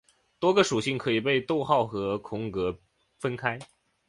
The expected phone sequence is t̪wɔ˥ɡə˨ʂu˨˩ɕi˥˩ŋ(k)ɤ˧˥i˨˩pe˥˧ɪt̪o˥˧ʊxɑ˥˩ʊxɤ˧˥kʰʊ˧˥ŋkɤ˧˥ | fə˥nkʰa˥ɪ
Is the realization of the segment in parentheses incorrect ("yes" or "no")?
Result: yes